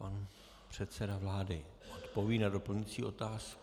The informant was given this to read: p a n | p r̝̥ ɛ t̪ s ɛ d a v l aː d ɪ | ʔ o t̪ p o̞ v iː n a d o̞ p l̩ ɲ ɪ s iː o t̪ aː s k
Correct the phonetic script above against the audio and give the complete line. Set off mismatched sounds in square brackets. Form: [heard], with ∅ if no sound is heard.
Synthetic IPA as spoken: p a n | p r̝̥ ɛ t̪ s ɛ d a v l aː d ɪ | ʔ o t̪ p o̞ v iː n a d o̞ p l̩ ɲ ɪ [t͡s] iː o t̪ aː s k